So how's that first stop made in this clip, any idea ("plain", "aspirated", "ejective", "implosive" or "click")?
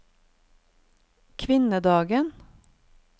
aspirated